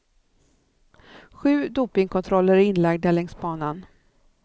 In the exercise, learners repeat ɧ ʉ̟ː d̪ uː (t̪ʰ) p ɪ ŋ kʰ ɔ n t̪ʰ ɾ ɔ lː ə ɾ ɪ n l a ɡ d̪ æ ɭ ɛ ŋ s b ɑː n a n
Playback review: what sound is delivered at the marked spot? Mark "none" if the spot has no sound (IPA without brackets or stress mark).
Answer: none